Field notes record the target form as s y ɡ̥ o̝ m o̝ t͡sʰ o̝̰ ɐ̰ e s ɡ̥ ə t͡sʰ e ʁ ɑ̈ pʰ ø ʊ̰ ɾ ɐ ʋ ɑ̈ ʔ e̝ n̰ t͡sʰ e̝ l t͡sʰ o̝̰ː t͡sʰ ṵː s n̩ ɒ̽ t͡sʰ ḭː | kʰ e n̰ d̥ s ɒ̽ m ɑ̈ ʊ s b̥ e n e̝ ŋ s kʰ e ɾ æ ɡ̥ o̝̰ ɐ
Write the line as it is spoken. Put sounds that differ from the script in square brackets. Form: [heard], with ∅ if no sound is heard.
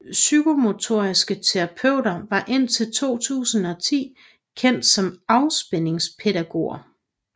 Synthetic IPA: s y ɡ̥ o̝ m o̝ t͡sʰ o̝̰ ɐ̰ [i] s ɡ̥ ə t͡sʰ e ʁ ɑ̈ pʰ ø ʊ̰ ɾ ɐ ʋ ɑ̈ ʔ e̝ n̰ t͡sʰ e̝ l t͡sʰ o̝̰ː t͡sʰ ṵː s n̩ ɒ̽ t͡sʰ ḭː | kʰ e n̰ d̥ s ɒ̽ m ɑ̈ ʊ s b̥ e n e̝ ŋ s [pʰ] e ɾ æ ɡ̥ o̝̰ ɐ